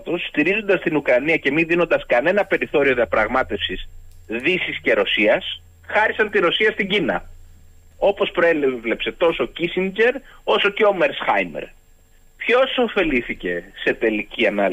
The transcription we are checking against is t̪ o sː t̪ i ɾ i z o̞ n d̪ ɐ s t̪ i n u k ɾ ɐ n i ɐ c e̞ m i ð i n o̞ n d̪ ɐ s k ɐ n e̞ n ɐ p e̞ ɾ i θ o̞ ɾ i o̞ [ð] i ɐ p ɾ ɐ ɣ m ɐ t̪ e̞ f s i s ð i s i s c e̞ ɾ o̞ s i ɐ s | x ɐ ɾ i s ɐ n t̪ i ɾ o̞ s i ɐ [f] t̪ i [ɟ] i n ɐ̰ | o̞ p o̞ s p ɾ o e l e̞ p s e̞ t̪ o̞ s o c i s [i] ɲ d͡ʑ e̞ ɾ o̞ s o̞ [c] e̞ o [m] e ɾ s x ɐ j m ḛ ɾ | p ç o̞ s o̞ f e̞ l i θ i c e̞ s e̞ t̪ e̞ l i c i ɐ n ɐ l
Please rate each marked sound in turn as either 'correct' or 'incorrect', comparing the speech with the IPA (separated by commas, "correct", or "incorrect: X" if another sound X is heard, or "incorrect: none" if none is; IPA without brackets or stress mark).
correct, incorrect: s, correct, correct, correct, correct